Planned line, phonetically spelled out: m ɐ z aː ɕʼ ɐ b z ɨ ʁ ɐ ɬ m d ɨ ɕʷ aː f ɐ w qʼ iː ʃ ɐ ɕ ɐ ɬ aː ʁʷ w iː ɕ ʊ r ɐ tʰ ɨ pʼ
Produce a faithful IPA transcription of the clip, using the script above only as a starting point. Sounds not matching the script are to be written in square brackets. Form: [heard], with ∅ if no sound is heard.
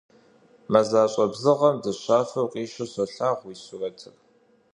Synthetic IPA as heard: m ɐ z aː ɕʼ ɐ b z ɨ ʁ ɐ [∅] m d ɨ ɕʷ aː f ɐ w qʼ iː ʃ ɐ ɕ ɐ ɬ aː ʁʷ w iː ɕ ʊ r ɐ tʰ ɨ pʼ